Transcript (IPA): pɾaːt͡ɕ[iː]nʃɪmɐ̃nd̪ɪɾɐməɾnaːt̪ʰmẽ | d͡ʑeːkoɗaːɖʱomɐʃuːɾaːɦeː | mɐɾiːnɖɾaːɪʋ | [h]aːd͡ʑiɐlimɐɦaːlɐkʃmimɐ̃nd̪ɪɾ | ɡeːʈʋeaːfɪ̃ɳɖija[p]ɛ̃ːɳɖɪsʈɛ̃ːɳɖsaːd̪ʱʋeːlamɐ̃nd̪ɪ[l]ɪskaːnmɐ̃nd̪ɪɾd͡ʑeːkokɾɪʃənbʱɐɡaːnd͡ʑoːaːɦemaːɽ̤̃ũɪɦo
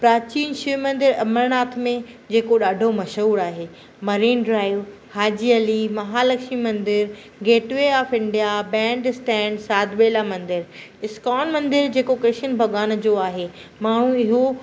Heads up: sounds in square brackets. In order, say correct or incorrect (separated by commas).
correct, correct, incorrect, incorrect